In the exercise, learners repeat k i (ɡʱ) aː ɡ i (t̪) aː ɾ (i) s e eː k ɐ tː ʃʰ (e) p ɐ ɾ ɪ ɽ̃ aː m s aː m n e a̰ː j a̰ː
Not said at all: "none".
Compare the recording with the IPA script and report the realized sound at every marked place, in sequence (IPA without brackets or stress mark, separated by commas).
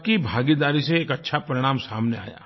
bʱ, d̪, i, a